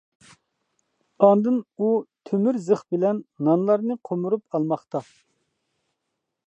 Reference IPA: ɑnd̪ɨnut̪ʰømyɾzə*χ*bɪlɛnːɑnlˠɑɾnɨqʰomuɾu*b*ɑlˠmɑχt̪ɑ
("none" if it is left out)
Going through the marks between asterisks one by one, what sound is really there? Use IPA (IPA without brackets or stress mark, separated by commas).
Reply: χ, p